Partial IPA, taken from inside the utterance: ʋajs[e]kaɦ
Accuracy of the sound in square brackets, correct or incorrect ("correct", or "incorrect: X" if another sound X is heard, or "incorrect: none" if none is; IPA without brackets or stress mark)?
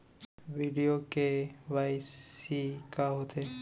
incorrect: i